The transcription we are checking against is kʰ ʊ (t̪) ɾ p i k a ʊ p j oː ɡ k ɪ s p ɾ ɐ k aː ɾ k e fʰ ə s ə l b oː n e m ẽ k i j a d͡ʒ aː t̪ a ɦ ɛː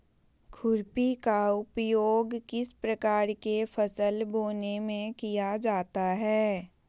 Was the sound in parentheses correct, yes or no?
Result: no